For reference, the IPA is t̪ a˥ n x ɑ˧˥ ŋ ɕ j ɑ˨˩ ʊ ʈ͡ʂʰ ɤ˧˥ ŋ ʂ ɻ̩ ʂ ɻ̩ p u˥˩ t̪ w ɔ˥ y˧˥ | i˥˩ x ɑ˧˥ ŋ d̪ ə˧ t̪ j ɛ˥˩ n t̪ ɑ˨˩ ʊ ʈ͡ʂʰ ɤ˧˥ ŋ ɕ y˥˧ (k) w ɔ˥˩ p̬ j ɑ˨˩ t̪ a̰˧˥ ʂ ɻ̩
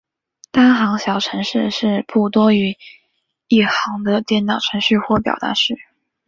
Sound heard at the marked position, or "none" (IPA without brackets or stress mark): x